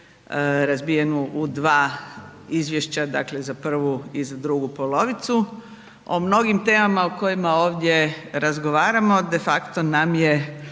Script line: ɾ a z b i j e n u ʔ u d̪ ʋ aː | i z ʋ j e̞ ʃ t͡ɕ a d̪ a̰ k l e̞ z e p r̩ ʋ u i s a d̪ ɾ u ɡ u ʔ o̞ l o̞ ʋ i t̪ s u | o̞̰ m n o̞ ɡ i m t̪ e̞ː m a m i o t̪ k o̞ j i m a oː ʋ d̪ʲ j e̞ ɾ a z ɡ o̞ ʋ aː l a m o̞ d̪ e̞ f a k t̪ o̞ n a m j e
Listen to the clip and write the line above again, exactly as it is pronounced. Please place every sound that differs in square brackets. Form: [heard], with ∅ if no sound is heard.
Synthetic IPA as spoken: ɾ a z b i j e n u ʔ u d̪ ʋ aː | i z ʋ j e̞ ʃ t͡ɕ a d̪ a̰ k l e̞ z [a] p r̩ ʋ u i [z] a d̪ ɾ u ɡ u [p] o̞ l o̞ ʋ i t̪ s u | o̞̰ m n o̞ ɡ i m t̪ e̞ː m a m [a] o [∅] k o̞ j i m a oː ʋ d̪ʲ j e̞ ɾ a z ɡ o̞ ʋ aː [ɾ] a m o̞ d̪ e̞ f a k t̪ o̞ n a m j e